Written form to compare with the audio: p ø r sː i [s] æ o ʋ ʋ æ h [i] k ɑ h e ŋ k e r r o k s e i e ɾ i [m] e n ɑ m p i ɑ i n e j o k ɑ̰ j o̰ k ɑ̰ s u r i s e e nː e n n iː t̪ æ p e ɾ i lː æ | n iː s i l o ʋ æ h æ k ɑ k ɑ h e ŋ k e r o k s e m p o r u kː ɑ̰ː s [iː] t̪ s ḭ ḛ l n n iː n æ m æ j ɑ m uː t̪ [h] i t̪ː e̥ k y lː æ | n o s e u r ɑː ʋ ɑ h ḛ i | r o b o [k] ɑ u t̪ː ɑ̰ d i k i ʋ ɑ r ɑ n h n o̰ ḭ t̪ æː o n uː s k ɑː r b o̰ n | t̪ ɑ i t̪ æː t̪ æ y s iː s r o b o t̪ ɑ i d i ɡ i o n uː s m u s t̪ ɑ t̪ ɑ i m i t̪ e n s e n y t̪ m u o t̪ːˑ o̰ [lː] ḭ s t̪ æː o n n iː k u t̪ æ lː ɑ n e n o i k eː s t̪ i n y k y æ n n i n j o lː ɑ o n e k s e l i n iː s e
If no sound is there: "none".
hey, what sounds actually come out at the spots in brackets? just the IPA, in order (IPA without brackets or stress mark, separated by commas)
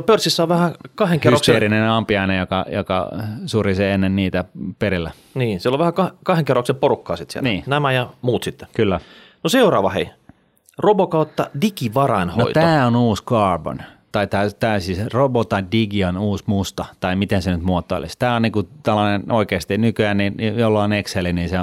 sː, æ, n, i, s, k, l